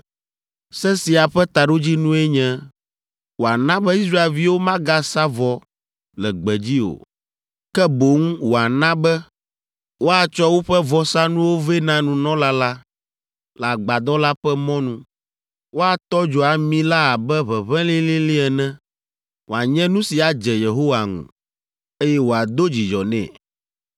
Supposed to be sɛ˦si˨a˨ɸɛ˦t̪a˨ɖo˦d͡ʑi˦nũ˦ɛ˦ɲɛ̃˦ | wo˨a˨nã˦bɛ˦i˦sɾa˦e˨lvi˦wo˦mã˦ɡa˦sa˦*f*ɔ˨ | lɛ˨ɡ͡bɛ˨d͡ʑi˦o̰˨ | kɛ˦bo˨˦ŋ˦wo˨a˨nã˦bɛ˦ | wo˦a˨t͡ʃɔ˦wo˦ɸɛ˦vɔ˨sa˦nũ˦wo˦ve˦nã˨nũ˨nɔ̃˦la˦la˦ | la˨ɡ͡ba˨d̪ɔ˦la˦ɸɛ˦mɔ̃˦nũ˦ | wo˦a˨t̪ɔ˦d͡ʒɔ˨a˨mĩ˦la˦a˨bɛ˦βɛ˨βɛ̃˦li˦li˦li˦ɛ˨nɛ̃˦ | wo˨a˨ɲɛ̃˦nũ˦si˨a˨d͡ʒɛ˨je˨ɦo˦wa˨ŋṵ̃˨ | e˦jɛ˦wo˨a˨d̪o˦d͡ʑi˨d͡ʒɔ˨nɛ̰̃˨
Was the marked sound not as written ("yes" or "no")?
yes